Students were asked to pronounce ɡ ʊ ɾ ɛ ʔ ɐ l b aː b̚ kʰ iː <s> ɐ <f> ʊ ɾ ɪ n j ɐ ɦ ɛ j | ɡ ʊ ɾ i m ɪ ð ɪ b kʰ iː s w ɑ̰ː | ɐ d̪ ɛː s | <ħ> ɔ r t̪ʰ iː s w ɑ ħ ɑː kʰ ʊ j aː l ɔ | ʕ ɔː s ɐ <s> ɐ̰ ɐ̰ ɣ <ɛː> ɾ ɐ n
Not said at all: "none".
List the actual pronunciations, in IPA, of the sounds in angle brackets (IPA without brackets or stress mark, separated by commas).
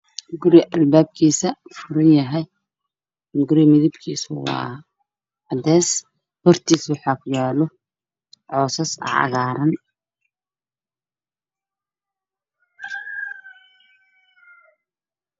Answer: s, f, h, s, aː